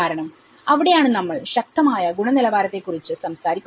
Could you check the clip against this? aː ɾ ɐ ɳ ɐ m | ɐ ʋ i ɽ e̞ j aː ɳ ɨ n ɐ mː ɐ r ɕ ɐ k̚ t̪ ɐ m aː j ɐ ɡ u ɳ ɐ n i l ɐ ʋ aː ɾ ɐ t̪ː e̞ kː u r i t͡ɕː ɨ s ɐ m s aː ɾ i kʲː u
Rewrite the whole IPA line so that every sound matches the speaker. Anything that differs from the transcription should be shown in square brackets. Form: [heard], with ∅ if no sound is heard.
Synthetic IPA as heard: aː ɾ ɐ ɳ ɐ m | ɐ ʋ i ɽ e̞ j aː ɳ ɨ n ɐ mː ɐ [ɭ] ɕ ɐ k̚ t̪ ɐ m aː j ɐ ɡ u ɳ ɐ n i l ɐ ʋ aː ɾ ɐ t̪ː e̞ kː u r i t͡ɕː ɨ s ɐ m s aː ɾ i kʲː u